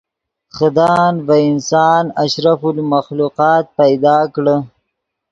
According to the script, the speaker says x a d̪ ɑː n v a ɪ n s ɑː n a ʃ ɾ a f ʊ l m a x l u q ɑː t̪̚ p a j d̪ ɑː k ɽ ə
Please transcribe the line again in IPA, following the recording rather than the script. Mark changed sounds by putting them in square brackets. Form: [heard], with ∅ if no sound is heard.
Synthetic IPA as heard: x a d̪ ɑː n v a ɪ n s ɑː n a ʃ ɾ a f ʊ l m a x l u q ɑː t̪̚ p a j d̪ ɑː k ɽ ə